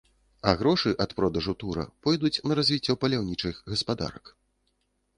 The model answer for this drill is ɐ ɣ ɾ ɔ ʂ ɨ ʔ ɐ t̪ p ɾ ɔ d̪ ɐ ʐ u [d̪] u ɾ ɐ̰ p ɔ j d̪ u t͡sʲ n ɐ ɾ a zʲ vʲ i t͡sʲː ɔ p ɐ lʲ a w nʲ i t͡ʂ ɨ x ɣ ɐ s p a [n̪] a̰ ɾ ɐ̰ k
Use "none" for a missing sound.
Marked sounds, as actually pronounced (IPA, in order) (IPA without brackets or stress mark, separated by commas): t̪, d̪